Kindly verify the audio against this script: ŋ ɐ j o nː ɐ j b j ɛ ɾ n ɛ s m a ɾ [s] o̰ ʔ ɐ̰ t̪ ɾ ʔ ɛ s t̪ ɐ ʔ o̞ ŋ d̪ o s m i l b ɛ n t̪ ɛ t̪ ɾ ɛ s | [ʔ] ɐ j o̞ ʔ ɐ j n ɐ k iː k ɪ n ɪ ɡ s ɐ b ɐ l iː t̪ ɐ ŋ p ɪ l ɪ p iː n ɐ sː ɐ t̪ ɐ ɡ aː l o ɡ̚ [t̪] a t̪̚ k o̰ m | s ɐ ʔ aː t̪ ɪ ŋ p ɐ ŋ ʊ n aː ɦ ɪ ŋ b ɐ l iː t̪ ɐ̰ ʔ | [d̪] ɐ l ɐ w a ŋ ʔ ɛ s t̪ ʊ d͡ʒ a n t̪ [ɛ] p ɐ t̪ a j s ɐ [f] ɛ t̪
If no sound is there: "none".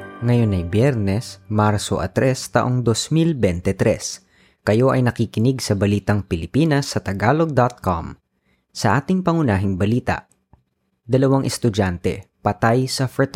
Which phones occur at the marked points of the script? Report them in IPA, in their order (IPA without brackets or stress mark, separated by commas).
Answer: s, k, d̪, d̪, ɛ, f